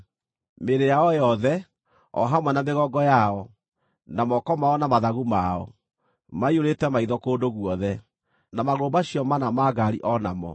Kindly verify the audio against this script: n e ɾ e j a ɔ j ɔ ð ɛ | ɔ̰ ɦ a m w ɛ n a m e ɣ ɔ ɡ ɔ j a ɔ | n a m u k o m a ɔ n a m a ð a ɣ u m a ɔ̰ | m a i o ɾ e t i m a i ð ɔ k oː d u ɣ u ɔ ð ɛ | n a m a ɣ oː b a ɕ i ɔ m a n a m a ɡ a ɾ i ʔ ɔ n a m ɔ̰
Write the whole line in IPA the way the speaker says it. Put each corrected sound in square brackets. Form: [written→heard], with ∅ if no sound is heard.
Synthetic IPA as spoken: [n→m] e ɾ e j a ɔ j ɔ ð ɛ | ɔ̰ ɦ a m w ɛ n a m e ɣ ɔ ɡ ɔ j a ɔ | n a m [u→ɔ] k [o→ɔ] m a ɔ n a m a ð a ɣ u m a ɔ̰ | m a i o ɾ e t [i→ɛ] m a i ð ɔ k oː d [u→o] ɣ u ɔ ð ɛ | n a m a ɣ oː b a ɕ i ɔ m a n a m a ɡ a ɾ i ʔ ɔ n a m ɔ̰